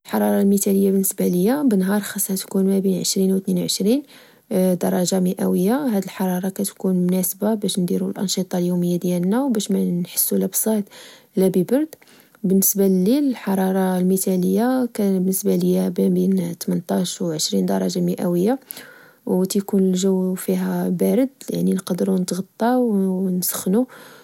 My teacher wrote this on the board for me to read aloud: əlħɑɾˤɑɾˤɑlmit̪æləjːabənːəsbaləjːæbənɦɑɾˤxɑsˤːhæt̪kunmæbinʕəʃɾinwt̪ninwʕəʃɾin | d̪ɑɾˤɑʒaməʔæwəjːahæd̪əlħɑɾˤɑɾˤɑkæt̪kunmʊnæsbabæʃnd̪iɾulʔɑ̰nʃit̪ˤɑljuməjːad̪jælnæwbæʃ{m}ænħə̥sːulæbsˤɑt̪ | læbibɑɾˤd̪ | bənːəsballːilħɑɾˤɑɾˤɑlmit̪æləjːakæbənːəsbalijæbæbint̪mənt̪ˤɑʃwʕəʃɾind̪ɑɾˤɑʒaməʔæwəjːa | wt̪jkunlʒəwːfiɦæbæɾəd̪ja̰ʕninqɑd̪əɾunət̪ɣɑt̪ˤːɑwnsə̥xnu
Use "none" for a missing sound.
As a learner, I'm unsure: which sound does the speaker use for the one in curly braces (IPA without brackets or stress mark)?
m